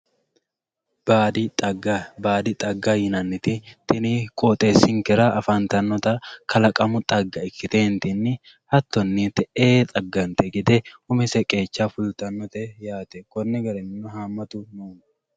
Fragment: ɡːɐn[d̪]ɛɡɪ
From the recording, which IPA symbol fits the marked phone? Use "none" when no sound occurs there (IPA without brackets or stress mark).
t̪